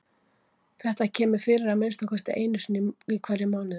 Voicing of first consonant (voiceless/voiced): voiceless